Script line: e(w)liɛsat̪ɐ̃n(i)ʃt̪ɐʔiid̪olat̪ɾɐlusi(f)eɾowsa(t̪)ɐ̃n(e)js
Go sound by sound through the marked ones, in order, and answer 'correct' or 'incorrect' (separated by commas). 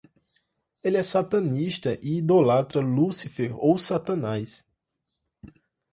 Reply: incorrect, correct, correct, correct, incorrect